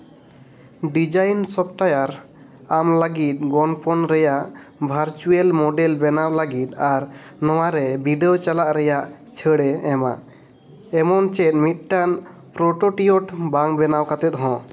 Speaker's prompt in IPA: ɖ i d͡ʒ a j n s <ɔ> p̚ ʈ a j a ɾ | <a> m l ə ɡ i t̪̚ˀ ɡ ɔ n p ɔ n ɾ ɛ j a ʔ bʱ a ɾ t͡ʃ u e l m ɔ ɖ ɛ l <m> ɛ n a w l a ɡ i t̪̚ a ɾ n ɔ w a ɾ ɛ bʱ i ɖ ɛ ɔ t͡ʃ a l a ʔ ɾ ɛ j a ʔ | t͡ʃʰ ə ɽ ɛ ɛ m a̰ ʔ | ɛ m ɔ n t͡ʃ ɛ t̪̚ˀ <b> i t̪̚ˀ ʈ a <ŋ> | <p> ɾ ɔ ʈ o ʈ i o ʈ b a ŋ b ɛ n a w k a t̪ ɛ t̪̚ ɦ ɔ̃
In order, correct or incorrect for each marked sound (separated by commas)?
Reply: correct, correct, incorrect, incorrect, incorrect, correct